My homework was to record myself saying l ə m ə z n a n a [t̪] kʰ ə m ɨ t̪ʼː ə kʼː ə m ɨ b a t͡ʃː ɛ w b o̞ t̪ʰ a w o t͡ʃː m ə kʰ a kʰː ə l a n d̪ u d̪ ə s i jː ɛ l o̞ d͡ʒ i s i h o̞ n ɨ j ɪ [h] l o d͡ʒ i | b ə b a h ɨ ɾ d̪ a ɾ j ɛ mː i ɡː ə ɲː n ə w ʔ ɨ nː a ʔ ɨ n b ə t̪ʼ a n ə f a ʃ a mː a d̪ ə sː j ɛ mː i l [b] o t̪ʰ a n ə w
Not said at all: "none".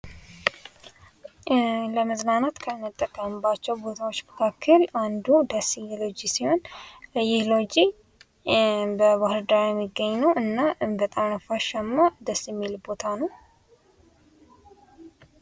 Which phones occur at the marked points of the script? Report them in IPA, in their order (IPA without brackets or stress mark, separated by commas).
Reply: t̪, h, b